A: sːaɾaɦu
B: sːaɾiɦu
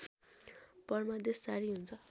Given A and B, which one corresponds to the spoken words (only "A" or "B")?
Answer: B